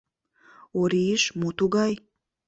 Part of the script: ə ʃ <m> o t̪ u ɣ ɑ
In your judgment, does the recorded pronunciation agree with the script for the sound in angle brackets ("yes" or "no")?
yes